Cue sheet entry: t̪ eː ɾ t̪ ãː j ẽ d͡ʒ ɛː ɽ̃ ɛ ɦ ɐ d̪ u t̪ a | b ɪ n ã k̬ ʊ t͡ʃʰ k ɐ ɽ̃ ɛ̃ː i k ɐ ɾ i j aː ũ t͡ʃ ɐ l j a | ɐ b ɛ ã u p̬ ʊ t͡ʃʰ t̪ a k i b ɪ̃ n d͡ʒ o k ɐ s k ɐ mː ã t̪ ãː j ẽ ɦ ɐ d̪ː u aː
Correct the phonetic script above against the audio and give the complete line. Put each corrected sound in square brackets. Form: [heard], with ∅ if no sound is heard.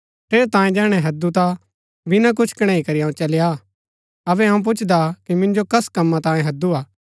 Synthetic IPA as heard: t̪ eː ɾ t̪ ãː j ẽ d͡ʒ ɛː ɽ̃ ɛ ɦ ɐ d̪ u t̪ a | b ɪ n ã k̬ ʊ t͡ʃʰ k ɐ ɽ̃ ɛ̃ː i k ɐ ɾ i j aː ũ t͡ʃ ɐ l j a | ɐ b ɛ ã [ũ] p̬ ʊ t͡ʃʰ [d̪] a k i [m] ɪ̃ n d͡ʒ o k ɐ s k ɐ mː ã t̪ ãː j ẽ ɦ ɐ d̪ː u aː